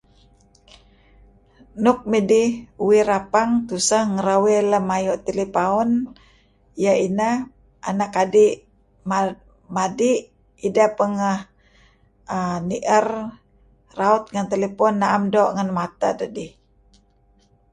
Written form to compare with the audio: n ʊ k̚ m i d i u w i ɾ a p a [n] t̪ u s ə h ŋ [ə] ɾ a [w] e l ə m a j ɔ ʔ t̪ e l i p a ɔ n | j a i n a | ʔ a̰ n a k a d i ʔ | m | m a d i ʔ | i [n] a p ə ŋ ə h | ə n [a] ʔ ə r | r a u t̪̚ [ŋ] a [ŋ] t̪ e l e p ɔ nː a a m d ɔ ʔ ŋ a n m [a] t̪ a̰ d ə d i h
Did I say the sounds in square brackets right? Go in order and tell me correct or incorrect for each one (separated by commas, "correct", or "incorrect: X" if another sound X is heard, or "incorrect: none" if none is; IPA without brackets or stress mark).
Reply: incorrect: ŋ, correct, correct, incorrect: d, incorrect: i, correct, incorrect: n, correct